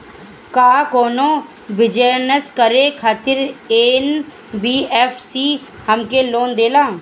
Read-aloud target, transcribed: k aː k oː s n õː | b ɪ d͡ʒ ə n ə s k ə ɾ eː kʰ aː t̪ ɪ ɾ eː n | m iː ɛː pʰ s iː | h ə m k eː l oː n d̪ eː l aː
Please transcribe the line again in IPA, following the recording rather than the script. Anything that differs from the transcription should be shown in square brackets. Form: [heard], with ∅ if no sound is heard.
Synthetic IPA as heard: k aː k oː [∅] n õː | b ɪ d͡ʒ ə n ə s k ə ɾ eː kʰ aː t̪ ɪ ɾ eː n | [b] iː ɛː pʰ s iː | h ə m k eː l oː n d̪ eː l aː

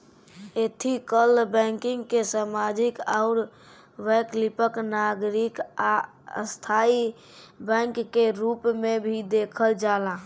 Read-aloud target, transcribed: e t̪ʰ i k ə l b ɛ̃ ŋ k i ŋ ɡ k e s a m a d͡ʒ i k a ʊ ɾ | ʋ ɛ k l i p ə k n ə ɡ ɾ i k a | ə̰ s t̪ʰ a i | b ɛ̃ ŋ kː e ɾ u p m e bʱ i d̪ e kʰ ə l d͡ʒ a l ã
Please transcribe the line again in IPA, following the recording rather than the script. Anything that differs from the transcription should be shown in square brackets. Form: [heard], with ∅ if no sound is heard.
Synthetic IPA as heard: e t̪ʰ i k ə l b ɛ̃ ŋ k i ŋ ɡ k e s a m a d͡ʒ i k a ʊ ɾ | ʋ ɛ k l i p ə k n [a] ɡ ɾ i k a | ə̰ s t̪ʰ a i | b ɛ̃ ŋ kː e ɾ u p m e bʱ i d̪ e kʰ ə l d͡ʒ a l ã

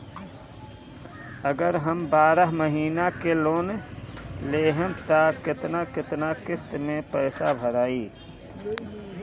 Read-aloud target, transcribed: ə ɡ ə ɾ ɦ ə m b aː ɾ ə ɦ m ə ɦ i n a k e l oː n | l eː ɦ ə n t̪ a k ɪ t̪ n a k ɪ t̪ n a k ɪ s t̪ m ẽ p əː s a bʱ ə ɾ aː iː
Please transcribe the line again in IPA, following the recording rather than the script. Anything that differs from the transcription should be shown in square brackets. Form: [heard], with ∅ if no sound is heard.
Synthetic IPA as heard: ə ɡ ə ɾ ɦ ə m b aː ɾ ə ɦ m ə ɦ [iː] n a k e l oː n | l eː ɦ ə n t̪ a k ɪ t̪ n a k ɪ t̪ n a k ɪ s t̪ m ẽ p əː s a bʱ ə ɾ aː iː

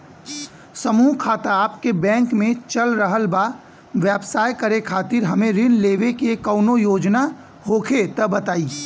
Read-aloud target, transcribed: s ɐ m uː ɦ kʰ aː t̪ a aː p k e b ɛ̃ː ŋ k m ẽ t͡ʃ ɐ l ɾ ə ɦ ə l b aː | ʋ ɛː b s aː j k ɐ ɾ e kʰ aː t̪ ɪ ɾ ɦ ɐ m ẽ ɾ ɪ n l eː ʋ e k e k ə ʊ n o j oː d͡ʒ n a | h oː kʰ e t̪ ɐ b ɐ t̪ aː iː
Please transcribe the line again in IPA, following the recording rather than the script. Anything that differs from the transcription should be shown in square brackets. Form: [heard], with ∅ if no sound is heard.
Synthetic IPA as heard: s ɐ m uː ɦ kʰ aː t̪ a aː p k e b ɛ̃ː ŋ k m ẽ t͡ʃ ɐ l ɾ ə ɦ ə l b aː | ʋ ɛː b s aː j k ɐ ɾ e kʰ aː t̪ ɪ ɾ ɦ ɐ m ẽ ɾ ɪ n l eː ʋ e k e k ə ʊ n o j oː d͡ʒ n a | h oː kʰ e t̪ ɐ b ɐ t̪ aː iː

